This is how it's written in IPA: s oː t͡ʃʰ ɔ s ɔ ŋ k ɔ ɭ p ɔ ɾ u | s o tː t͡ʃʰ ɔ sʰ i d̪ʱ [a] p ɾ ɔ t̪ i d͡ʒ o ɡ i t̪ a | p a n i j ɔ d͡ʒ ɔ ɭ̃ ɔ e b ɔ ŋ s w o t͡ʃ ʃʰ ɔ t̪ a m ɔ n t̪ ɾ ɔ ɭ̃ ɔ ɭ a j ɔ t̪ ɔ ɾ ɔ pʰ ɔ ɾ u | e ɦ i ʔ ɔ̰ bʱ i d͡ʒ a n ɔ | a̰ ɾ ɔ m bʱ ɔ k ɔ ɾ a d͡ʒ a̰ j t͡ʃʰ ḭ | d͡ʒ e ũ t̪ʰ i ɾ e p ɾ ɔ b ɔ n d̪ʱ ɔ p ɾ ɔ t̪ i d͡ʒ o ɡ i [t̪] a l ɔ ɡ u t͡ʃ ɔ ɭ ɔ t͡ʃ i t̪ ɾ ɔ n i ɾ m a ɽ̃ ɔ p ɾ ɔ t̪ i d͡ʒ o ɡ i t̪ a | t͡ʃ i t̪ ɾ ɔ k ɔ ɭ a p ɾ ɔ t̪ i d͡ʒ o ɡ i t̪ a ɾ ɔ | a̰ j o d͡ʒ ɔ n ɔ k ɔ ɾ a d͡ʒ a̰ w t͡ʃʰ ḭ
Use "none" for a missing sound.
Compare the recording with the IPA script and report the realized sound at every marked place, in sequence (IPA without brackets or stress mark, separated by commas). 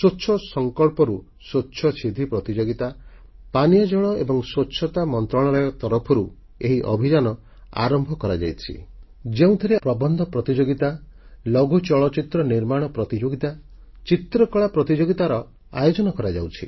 i, t̪